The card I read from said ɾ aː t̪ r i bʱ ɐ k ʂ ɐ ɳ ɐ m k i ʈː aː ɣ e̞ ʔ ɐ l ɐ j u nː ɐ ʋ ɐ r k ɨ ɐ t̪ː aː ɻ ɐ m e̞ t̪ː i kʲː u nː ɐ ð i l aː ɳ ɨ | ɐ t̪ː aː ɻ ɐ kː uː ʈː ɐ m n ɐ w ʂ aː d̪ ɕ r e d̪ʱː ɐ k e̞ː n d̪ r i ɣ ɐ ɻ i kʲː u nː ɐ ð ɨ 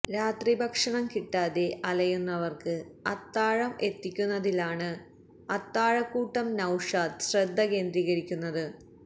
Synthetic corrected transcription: ɾ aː t̪ r i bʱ ɐ k ʂ ɐ ɳ ɐ m k i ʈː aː ð e̞ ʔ ɐ l ɐ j u nː ɐ ʋ ɐ r k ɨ ɐ t̪ː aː ɻ ɐ m e̞ t̪ː i kʲː u nː ɐ ð i l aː ɳ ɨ | ɐ t̪ː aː ɻ ɐ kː uː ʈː ɐ m n ɐ w ʂ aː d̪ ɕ r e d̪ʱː ɐ k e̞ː n d̪ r i ɣ ɐ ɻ i kʲː u nː ɐ ð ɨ